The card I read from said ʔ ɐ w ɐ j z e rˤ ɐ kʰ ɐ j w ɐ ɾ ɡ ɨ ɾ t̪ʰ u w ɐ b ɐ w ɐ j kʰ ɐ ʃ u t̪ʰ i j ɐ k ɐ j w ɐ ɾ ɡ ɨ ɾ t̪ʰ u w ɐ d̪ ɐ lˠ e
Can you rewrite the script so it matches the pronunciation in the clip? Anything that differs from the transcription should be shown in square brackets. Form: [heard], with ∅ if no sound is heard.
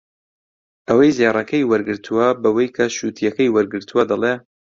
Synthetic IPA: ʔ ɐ w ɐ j z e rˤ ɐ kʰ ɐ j w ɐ ɾ ɡ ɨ ɾ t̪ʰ u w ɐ b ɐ w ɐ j kʰ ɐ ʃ u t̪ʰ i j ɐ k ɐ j w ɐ ɾ ɡ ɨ ɾ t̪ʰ u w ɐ d̪ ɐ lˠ e